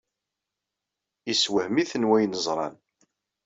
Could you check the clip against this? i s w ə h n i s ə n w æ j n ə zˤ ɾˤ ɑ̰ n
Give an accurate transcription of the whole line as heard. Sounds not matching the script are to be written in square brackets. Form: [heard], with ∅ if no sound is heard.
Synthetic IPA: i s w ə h [m] i [θ] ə n w æ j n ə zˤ ɾˤ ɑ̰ n